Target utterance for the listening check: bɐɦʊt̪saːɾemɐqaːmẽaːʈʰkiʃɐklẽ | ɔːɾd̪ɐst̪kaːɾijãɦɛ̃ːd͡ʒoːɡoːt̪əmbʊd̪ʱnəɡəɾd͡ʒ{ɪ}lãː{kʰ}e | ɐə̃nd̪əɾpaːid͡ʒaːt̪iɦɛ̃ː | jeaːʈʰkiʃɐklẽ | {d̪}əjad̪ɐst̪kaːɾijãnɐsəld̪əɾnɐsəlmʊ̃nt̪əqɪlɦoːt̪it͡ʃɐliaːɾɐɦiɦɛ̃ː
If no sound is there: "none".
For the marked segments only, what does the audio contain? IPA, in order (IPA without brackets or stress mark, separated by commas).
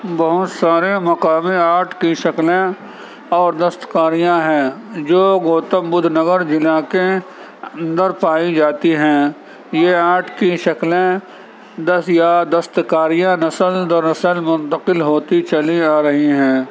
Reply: ɪ, k, d̪